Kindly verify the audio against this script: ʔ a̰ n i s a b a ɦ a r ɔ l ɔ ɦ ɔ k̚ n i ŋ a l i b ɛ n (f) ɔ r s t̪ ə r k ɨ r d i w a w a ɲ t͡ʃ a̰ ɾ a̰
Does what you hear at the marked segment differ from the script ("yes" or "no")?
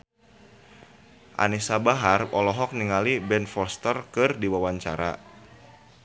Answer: no